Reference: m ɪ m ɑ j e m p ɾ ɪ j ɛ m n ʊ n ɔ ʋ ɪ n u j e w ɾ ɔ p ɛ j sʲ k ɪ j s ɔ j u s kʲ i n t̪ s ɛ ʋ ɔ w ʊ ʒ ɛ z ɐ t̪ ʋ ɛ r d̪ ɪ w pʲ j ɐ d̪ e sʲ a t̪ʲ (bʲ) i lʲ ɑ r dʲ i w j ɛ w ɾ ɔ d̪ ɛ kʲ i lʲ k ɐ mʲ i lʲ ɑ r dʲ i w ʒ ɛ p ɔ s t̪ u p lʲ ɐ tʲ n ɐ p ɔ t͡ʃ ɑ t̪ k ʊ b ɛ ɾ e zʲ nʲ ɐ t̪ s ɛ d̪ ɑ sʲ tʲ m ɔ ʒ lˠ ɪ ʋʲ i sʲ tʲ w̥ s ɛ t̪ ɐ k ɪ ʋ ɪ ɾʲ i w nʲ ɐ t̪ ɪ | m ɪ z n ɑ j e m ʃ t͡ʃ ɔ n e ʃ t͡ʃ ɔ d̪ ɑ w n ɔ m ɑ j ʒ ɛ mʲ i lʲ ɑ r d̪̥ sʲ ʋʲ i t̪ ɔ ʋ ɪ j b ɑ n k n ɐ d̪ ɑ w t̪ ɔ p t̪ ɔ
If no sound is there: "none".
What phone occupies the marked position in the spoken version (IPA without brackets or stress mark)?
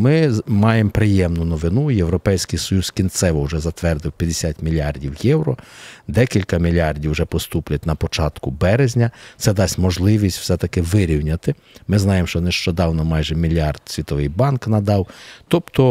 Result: mʲ